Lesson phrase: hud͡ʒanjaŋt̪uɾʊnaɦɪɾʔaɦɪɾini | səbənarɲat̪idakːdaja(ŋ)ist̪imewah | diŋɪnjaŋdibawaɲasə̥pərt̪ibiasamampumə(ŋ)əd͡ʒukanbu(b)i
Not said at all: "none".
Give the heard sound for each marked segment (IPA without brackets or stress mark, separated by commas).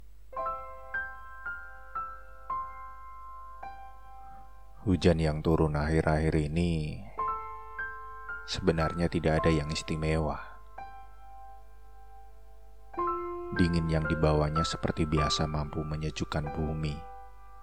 ŋ, ɲ, m